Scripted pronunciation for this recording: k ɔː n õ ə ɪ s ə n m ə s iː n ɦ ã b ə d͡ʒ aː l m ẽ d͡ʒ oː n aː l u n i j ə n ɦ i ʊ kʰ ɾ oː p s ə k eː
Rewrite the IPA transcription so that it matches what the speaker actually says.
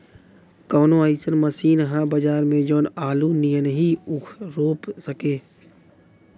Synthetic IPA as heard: k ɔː n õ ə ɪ s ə n m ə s iː n ɦ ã b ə d͡ʒ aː ɾ m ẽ d͡ʒ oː n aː l u n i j ə n ɦ i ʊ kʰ ɾ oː p s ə k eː